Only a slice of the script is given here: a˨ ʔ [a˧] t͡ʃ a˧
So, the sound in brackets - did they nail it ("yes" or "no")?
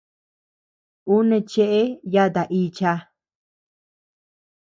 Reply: no